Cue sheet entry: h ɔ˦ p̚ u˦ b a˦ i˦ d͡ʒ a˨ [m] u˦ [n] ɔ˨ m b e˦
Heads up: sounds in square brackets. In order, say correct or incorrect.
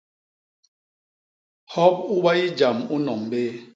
correct, correct

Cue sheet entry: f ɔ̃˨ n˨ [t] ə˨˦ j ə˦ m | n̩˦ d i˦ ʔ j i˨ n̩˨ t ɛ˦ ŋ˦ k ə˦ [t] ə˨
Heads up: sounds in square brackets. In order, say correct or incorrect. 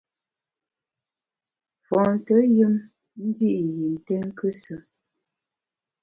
correct, incorrect: s

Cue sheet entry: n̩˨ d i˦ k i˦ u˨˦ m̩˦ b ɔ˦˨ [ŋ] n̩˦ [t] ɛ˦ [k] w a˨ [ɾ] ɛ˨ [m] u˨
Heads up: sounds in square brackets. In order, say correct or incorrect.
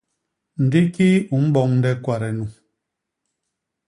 correct, incorrect: d, correct, correct, incorrect: n

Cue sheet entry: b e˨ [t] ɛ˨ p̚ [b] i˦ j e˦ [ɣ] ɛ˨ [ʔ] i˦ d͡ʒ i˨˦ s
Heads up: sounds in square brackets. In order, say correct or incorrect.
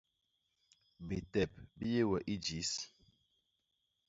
correct, correct, incorrect: w, correct

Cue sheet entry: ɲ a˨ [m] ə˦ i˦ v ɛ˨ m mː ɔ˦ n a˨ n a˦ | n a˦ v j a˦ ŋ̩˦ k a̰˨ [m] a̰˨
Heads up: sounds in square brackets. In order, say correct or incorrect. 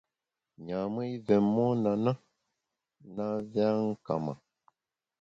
correct, correct

